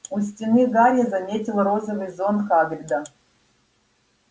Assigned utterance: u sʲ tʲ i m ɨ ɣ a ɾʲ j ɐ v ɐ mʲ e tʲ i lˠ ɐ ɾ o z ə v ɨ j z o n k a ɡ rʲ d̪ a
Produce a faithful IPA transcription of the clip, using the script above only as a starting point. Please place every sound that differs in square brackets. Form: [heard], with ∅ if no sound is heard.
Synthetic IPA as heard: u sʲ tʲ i [n] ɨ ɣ a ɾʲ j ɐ [z] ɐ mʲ e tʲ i lˠ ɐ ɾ o z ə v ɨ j z o n k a ɡ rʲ d̪ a